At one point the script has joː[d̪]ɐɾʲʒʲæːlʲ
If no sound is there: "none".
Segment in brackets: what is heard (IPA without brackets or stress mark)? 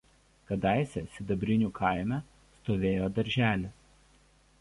d̪